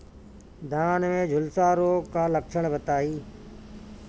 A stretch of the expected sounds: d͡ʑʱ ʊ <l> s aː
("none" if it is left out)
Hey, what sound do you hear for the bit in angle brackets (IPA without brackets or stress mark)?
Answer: l